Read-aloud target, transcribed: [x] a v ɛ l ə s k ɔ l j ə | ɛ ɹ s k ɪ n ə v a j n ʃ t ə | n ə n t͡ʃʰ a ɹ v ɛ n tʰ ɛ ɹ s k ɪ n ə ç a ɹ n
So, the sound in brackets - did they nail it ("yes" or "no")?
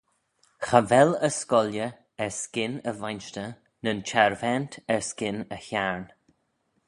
yes